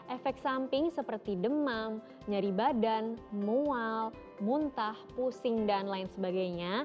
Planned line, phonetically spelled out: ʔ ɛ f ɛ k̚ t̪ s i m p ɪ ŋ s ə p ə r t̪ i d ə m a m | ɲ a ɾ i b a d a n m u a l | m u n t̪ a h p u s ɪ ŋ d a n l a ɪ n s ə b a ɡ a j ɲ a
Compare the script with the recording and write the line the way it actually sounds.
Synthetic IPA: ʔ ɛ f ɛ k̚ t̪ s a m p ɪ ŋ s ə p ə r t̪ i d ə m a m | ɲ a ɾ i b a d a n m u a l | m u n t̪ a h p u s ɪ ŋ d a n l a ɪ n s ə b a ɡ a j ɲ a